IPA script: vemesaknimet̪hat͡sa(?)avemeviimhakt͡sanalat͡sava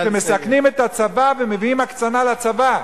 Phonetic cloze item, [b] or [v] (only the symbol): v